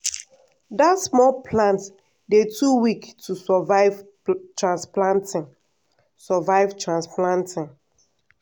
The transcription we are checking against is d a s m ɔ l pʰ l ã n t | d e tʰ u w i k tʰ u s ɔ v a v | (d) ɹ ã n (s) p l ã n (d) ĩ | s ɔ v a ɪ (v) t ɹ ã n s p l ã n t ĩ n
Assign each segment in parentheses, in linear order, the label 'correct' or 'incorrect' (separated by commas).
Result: incorrect, correct, incorrect, correct